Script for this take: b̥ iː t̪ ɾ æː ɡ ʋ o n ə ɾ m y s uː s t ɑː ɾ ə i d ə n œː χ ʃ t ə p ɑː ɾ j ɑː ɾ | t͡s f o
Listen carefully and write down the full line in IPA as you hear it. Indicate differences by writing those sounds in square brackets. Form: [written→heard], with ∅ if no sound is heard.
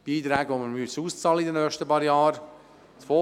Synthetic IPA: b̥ iː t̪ ɾ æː ɡ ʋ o [n→m] ə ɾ m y s uː s [t→t͡s] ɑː [ɾ→l] ə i d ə n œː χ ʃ t ə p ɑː ɾ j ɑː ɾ | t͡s f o